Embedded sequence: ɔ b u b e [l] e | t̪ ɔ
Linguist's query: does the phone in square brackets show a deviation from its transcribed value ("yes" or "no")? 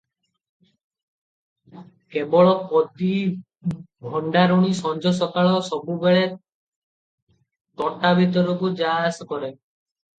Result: yes